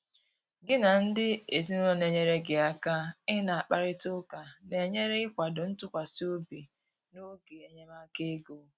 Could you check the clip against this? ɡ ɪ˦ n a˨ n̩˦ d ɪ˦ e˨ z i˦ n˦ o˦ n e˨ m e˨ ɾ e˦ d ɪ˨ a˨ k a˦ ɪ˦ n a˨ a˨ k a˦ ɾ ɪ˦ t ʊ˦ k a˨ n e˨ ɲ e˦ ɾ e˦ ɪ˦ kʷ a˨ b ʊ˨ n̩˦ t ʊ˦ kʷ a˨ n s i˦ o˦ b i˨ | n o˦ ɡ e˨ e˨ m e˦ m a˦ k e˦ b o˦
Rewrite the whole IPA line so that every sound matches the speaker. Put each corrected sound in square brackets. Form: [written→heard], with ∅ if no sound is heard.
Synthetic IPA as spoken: ɡ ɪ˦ n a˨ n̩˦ d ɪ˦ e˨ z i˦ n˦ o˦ n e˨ [m→ɲ] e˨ ɾ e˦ [d→ɡ] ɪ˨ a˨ k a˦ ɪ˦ n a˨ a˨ [k→k͡p] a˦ ɾ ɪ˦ t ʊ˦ k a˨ n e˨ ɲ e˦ ɾ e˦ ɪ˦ kʷ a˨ [b→d] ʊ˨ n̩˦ t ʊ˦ kʷ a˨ [n→∅] s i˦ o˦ b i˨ | n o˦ ɡ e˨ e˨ [m→ɲ] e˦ m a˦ k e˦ [b→ɡ] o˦